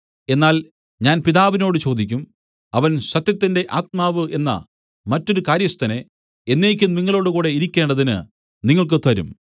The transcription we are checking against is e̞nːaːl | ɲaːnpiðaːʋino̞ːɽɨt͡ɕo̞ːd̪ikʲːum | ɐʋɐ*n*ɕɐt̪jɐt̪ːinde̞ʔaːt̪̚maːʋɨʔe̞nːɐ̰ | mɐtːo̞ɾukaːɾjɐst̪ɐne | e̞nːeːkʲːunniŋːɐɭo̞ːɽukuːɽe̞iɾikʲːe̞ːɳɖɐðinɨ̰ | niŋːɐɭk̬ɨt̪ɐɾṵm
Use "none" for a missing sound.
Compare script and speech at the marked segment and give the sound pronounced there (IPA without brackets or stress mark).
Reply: n